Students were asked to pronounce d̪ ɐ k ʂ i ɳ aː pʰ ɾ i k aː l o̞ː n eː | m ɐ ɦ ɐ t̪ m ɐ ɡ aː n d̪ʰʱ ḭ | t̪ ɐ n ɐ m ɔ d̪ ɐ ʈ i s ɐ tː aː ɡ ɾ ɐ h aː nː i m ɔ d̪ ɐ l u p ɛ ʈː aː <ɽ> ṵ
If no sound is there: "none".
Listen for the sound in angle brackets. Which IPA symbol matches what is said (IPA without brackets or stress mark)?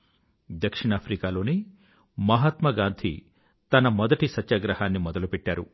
ɾ